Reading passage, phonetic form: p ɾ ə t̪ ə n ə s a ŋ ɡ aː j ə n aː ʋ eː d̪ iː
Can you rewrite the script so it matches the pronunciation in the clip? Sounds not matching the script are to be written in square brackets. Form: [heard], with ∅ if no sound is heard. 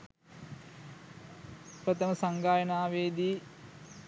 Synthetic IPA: p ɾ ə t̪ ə [m] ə s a ŋ ɡ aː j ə n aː ʋ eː d̪ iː